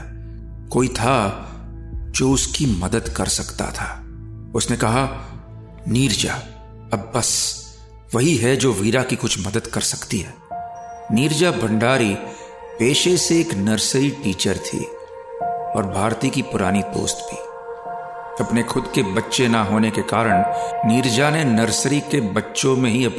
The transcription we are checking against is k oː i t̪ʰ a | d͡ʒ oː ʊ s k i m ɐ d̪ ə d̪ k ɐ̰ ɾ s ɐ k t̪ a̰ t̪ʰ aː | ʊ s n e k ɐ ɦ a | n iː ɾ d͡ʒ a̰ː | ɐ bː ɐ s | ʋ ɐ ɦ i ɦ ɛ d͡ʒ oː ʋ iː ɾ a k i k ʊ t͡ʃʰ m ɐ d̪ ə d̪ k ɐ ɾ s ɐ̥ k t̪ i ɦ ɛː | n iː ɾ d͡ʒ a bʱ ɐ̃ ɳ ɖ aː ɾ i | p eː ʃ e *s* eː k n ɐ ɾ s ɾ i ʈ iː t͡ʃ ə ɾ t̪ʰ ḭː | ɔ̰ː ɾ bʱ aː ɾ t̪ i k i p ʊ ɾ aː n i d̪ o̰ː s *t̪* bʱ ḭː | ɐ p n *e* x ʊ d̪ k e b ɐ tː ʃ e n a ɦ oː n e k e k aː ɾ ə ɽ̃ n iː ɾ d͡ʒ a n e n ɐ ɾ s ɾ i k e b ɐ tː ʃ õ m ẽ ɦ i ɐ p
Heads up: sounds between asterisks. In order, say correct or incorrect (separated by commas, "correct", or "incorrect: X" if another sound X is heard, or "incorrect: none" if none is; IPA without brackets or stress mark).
correct, correct, correct